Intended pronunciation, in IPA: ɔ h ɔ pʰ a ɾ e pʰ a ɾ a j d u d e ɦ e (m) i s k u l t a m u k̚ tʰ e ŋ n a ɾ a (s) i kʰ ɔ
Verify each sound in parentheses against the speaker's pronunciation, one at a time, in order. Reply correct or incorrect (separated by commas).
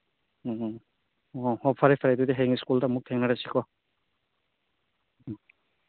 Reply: incorrect, correct